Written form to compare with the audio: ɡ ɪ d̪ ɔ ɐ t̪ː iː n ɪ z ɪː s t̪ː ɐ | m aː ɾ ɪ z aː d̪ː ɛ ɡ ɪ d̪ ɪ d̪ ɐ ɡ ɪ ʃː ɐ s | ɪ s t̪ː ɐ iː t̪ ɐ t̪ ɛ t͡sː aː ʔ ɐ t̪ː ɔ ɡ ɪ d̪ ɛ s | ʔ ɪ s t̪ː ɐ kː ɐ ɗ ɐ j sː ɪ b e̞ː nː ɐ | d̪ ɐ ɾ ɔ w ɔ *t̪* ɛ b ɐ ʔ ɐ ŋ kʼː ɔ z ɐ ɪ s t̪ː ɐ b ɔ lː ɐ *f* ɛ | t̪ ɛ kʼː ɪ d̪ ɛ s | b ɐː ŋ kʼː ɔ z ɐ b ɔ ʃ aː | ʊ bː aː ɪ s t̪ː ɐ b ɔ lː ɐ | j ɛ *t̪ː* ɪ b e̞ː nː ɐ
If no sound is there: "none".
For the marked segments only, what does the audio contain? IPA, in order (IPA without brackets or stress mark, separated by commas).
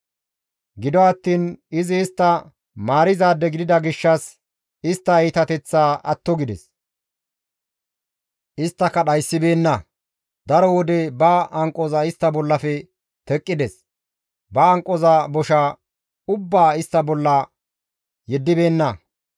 d̪, f, d̪ː